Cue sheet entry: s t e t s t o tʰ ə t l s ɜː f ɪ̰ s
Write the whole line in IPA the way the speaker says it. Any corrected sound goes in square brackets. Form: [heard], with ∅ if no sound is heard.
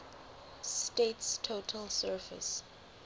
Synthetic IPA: s t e t s [tʰ] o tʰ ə [∅] l s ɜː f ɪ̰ s